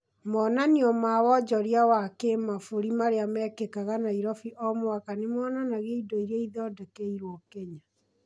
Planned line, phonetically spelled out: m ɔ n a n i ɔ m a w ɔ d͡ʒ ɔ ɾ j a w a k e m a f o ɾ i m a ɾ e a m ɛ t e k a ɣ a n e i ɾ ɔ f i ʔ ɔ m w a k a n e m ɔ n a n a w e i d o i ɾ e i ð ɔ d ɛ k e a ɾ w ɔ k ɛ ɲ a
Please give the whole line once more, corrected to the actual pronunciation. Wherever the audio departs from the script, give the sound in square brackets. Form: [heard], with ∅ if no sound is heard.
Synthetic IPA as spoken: m ɔ n a n i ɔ m a w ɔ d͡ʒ ɔ ɾ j a w a k e m a f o ɾ i m a ɾ e a m ɛ [k] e k a ɣ a n [a] i ɾ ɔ f i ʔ ɔ m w a k a n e m ɔ n a n a [ɣ] e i d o i ɾ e i ð ɔ d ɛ k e [i] ɾ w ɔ k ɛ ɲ a

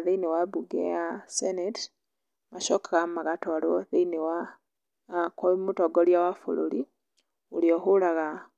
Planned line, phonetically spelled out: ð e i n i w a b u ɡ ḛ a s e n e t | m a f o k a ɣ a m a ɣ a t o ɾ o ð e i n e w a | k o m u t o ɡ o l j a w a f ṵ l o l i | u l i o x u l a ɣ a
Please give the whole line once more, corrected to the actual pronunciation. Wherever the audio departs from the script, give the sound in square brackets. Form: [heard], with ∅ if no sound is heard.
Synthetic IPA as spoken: ð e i n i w a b u ɡ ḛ a s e n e t | m a [ʃ] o k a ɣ a m a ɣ a t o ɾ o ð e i n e w a | k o m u t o ɡ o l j a w a f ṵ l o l i | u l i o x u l a ɣ a

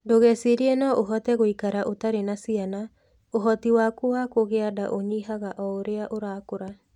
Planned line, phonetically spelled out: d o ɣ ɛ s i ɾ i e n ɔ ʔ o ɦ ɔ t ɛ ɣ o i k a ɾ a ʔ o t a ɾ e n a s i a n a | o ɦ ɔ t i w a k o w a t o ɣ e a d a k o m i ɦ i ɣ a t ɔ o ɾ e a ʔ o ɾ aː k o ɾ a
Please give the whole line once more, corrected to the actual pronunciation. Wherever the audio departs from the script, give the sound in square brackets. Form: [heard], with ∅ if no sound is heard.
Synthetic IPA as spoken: d o ɣ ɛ s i ɾ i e n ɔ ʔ o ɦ ɔ t ɛ ɣ o i k a ɾ a ʔ o t a ɾ e n a s i a n a | o ɦ ɔ t i w a k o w a [k] o ɣ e a d a [ʔ] o [ɲ] i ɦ [a] ɣ a [ʔ] ɔ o ɾ e a ʔ o ɾ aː k o ɾ a

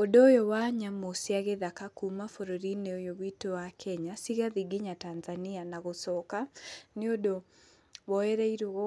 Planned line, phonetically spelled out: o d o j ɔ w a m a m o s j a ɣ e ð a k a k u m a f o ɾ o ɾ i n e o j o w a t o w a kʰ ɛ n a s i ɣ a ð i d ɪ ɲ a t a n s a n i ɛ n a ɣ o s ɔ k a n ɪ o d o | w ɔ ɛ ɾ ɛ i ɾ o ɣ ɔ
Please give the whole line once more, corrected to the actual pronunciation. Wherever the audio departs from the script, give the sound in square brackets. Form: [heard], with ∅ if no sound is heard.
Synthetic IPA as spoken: o d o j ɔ w a [ɲ] a m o s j a ɣ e ð a k a k u m a f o ɾ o ɾ i n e o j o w [i] t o w a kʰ ɛ [ɲ] a s i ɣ a ð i [ɡ] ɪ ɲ a t a n [z] a n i [a] n a ɣ o s ɔ k a n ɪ o d o | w ɔ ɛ ɾ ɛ i ɾ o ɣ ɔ

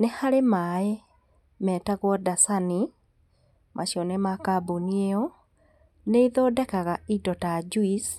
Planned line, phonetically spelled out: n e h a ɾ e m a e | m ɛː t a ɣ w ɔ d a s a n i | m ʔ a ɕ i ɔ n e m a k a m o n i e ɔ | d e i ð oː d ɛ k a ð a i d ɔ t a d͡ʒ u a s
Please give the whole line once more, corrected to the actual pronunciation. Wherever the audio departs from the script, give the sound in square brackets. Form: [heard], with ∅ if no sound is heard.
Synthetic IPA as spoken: n e h a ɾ e m a e | m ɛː t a ɣ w ɔ d a s a n i | m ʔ a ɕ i ɔ n e m a k a [b] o n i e ɔ | [n] e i ð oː d ɛ k a [ɣ] a i d ɔ t a d͡ʒ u [i] s

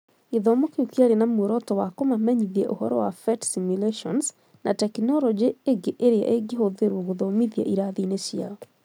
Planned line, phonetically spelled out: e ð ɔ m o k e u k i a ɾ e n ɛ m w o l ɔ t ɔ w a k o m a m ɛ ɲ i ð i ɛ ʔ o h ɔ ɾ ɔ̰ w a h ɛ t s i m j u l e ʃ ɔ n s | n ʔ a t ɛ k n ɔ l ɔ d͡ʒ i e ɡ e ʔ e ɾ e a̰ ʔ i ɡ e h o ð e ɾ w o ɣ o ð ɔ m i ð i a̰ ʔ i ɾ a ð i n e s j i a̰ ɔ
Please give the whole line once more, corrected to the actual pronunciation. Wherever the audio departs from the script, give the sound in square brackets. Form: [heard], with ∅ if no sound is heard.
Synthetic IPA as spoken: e ð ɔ m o k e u k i a ɾ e n [a] m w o [ɾ] ɔ t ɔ w a k o m a m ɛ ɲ i ð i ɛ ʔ o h ɔ ɾ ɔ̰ w a [f] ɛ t s i m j u l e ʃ ɔ n s | n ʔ a t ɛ k n ɔ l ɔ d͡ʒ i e ɡ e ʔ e ɾ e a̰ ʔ [e] ɡ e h o ð e ɾ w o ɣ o ð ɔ m i ð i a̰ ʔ i ɾ a ð i n e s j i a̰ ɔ

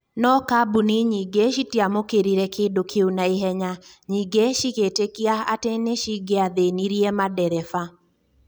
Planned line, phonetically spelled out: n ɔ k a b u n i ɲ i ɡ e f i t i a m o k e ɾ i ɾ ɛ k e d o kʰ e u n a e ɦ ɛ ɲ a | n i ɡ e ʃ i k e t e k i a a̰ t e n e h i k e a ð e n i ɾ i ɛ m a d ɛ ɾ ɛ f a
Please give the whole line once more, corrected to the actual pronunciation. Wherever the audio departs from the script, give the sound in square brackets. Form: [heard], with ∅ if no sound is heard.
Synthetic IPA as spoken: n ɔ k a b u n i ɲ i ɡ e [ʃ] i t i a m o k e ɾ i ɾ ɛ k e d o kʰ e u n a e ɦ ɛ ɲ a | [ɲ] i ɡ e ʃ i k e t e k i a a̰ t e n e [ʃ] i [ɡ] e a ð e n i ɾ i ɛ m a d ɛ ɾ ɛ f a

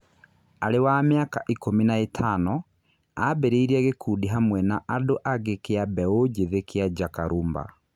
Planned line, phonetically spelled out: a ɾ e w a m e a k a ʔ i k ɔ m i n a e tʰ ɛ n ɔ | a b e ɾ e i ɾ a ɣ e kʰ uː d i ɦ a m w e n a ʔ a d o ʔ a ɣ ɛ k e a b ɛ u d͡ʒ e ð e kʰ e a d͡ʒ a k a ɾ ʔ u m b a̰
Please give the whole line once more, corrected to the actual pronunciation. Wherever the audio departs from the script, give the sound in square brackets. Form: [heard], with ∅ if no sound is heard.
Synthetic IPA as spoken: a ɾ e w a m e a k a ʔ i k [o] m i n a e tʰ [a] n ɔ | a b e ɾ e i ɾ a ɣ e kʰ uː d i ɦ a m w [ɛ] n a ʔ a d o ʔ a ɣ [e] k e a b ɛ [o] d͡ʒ e ð e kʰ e a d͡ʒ a k a ɾ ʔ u m b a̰

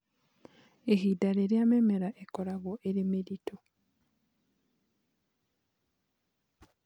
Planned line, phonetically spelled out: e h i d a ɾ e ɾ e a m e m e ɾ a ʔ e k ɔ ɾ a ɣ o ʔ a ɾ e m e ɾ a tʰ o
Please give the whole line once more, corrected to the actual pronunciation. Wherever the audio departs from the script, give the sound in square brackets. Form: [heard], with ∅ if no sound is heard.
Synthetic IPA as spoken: e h i d a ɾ e ɾ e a m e m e ɾ a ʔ e k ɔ ɾ a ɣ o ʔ [e] ɾ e m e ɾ [i] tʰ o

